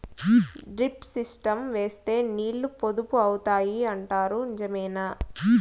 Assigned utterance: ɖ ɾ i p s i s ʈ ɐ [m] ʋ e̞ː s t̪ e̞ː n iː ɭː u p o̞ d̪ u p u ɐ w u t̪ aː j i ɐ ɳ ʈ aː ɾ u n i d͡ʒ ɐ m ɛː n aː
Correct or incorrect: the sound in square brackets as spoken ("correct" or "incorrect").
correct